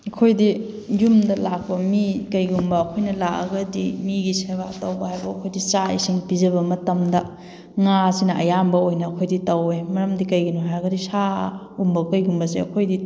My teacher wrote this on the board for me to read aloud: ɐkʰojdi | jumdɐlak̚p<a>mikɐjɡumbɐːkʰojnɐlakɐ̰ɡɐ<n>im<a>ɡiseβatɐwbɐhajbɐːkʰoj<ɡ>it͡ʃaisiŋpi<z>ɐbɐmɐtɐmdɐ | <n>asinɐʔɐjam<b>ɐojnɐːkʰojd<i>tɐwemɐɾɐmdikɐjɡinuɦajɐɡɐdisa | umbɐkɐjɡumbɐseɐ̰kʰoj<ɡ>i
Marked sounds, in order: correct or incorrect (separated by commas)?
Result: incorrect, incorrect, incorrect, incorrect, correct, incorrect, correct, correct, incorrect